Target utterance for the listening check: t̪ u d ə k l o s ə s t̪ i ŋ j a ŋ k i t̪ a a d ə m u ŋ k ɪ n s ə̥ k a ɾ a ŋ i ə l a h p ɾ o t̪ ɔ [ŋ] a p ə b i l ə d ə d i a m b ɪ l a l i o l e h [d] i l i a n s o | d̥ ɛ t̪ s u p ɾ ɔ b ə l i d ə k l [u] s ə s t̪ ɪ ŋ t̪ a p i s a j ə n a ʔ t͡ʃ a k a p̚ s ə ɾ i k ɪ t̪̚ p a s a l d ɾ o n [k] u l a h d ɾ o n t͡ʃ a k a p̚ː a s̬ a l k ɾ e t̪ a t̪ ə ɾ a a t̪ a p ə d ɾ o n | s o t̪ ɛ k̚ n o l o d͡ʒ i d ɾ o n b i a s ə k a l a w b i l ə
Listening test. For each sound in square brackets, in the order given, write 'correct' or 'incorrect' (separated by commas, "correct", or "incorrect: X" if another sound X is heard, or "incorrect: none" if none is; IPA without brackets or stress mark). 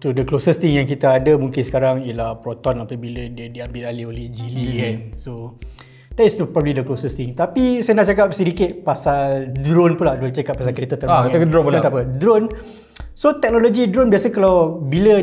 incorrect: n, incorrect: d͡ʒ, incorrect: o, incorrect: p